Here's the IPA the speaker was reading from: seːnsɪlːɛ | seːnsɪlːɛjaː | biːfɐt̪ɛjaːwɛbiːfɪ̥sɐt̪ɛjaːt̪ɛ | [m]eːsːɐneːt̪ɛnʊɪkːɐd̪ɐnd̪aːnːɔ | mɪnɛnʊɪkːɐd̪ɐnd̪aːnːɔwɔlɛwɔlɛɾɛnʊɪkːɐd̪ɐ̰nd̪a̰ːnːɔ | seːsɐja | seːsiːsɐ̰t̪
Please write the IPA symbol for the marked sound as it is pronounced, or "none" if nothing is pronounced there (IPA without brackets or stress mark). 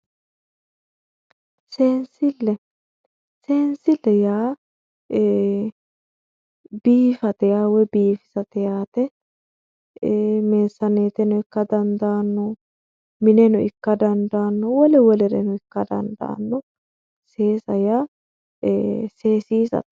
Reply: m